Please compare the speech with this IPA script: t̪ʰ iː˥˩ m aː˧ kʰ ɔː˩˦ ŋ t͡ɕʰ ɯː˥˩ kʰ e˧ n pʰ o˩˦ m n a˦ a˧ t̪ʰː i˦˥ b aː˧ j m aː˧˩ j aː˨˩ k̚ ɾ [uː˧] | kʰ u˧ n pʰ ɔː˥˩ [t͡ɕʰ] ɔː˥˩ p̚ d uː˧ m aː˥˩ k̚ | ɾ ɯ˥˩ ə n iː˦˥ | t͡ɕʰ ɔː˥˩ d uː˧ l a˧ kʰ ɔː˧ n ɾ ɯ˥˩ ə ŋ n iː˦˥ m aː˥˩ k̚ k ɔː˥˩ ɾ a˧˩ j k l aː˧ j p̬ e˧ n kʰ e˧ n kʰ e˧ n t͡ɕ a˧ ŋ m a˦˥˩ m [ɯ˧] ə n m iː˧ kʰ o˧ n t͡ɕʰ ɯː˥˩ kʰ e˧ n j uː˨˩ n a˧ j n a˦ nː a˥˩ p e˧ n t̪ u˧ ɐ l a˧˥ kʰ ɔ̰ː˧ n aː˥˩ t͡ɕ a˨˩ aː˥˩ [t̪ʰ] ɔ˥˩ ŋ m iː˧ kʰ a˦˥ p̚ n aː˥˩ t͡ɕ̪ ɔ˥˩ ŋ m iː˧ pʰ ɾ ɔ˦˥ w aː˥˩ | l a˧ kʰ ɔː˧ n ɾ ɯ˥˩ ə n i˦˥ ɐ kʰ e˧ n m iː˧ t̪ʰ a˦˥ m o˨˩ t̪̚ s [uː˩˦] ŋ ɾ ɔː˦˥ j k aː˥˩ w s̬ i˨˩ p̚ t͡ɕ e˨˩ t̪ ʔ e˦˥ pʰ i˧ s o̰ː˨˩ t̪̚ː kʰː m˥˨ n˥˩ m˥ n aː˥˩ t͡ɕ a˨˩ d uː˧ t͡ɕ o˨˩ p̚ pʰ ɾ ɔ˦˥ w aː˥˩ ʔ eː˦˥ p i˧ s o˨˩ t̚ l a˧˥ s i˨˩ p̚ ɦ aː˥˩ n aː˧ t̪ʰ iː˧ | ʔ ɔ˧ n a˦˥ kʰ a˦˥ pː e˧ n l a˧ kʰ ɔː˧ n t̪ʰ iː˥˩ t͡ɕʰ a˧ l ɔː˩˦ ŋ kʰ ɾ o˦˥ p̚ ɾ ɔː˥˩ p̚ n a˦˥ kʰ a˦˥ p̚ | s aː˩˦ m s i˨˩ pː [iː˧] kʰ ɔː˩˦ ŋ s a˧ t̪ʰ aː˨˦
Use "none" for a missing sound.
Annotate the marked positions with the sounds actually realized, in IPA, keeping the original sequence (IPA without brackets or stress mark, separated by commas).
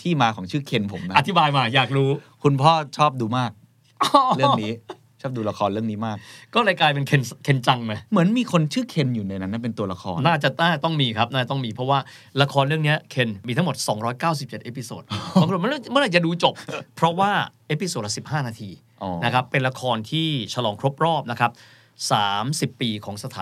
uː˦˥, t͡ɕʰ, ɯ˩˦, t̪, ɔː˩˦, iː˧